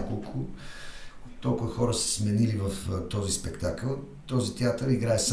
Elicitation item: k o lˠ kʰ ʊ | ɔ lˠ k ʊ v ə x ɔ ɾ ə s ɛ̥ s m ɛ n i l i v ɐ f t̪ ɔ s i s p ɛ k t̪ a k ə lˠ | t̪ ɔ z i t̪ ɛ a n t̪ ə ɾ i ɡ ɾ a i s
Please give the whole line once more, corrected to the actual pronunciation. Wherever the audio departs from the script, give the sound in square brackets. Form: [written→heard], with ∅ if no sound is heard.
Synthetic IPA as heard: k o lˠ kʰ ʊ | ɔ lˠ k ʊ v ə x ɔ ɾ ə s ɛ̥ s m ɛ n i l i v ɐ f t̪ ɔ [s→z] i s p ɛ k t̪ a k ə lˠ | t̪ ɔ z i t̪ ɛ a [n→∅] t̪ ə ɾ i ɡ ɾ a [i→ɛ] s